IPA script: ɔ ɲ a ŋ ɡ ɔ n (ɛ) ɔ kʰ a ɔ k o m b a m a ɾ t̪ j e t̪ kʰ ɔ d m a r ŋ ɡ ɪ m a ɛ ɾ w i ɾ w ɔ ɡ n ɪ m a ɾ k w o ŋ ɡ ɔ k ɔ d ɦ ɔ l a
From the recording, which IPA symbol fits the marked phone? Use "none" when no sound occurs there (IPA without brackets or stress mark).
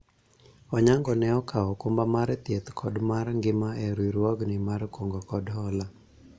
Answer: ɛ